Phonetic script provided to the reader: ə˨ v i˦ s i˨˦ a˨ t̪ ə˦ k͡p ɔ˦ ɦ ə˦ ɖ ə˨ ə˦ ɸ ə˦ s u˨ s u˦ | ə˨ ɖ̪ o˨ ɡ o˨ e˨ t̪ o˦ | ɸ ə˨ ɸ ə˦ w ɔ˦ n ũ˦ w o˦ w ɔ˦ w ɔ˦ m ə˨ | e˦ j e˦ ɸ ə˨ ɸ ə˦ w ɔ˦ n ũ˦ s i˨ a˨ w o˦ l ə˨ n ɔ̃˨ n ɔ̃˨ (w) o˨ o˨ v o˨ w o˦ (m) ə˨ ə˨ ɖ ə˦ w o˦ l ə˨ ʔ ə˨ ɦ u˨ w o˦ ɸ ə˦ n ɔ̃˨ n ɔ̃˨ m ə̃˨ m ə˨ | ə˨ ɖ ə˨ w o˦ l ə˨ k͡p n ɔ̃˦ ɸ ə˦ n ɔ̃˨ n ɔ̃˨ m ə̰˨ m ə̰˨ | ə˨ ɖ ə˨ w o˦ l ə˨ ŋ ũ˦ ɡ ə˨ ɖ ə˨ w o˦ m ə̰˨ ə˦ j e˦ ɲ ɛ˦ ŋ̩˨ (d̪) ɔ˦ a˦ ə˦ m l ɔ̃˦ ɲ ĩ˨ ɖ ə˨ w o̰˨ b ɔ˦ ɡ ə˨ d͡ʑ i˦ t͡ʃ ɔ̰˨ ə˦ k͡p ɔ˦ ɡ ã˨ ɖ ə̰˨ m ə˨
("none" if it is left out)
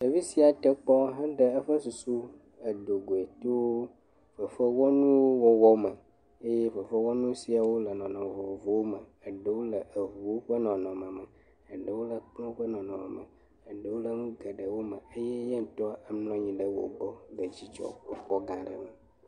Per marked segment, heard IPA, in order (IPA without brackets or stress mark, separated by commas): v, m, t̪